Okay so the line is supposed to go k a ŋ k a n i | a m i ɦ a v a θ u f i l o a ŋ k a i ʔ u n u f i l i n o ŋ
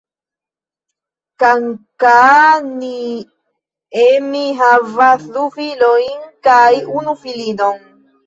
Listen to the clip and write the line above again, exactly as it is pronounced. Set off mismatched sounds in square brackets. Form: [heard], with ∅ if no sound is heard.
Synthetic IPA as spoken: k a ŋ k a n i | [e] m i ɦ a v a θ u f i l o [i] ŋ k a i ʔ u n u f i l i n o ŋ